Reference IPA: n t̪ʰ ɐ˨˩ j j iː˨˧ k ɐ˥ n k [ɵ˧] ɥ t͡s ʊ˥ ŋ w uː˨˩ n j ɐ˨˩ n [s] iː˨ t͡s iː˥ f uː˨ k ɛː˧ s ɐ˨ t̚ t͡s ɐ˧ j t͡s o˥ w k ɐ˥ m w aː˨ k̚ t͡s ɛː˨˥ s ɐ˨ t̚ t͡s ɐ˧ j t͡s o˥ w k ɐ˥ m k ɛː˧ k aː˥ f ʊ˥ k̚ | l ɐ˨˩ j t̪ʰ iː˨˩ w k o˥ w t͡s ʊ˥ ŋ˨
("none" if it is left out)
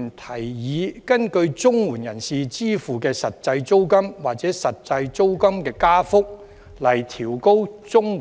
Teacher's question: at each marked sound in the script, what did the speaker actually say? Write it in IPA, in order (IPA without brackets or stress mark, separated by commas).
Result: ɵ˧, s